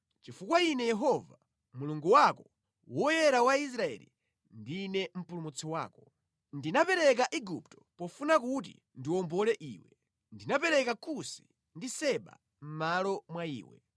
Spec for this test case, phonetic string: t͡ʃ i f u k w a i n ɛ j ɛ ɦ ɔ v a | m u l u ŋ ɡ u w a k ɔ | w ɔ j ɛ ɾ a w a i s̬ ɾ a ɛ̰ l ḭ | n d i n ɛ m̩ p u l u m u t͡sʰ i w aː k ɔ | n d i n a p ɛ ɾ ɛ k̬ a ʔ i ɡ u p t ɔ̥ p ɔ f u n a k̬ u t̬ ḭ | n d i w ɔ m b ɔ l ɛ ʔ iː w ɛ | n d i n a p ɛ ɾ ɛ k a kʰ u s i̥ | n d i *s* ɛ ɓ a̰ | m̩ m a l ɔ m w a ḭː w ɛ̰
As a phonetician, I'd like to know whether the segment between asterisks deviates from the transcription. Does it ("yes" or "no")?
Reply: no